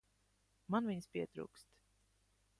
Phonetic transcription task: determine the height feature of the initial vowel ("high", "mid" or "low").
low